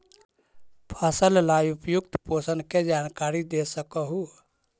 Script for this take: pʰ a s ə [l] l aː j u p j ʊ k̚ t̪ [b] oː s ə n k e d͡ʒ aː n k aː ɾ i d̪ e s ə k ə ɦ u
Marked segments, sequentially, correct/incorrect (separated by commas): correct, incorrect